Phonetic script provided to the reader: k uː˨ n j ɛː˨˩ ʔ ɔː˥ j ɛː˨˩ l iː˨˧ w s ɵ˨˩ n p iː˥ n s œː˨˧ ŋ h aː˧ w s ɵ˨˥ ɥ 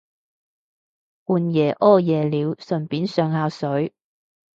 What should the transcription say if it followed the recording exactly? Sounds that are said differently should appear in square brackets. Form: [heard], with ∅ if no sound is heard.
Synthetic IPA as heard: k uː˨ n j ɛː˨˩ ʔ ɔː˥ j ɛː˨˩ l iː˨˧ w s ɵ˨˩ n p [iː˨˥] n s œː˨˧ ŋ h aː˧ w s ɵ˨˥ ɥ